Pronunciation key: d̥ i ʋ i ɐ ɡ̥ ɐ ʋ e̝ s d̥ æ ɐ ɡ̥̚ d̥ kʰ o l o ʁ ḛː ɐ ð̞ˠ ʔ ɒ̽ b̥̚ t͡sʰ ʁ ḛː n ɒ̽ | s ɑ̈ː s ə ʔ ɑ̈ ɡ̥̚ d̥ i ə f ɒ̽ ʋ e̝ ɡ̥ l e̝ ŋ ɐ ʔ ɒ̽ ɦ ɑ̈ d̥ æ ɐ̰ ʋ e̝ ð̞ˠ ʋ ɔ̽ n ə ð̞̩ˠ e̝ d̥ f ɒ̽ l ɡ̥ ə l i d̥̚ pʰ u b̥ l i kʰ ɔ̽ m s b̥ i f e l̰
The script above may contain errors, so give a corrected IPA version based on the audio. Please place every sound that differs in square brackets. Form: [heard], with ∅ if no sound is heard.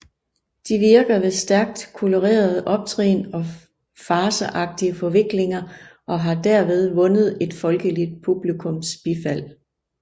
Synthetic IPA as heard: d̥ i ʋ i ɐ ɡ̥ ɐ ʋ e̝ s d̥ æ ɐ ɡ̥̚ d̥ kʰ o l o ʁ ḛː ɐ ð̞ˠ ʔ ɒ̽ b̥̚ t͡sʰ ʁ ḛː n ɒ̽ | [f] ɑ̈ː s ə ʔ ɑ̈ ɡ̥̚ d̥ i ə f ɒ̽ ʋ e̝ ɡ̥ l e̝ ŋ ɐ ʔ ɒ̽ ɦ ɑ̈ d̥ æ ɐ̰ ʋ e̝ ð̞ˠ ʋ ɔ̽ n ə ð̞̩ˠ e̝ d̥ f ɒ̽ l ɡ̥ ə l i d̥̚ pʰ u b̥ l i kʰ ɔ̽ m s b̥ i f [æ] l̰